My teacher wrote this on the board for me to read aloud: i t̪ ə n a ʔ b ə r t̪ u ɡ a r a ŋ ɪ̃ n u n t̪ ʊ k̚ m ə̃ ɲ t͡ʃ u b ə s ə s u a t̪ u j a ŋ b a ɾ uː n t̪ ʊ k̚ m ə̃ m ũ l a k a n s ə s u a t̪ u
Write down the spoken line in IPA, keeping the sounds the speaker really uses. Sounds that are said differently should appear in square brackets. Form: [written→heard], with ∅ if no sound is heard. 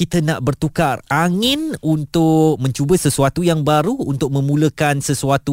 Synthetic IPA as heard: i t̪ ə n a ʔ b ə r t̪ u [ɡ→k] a r a ŋ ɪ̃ n u n t̪ ʊ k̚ m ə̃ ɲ t͡ʃ u b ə s ə s u a t̪ u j a ŋ b a ɾ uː n t̪ ʊ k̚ m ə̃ m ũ l [a→ə] k a n s ə s u a t̪ u